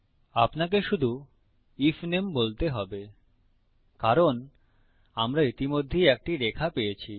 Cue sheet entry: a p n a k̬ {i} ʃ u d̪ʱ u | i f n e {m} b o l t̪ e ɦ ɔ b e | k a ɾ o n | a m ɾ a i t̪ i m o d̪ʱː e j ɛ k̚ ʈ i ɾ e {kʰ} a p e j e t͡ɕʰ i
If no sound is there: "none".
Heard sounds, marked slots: e, m, kʰ

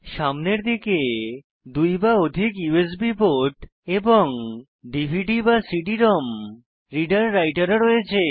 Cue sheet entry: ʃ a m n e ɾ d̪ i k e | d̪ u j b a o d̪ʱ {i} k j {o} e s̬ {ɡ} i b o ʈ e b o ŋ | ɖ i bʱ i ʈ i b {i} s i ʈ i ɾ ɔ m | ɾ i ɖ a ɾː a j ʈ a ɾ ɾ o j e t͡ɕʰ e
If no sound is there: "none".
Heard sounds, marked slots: i, u, b, a

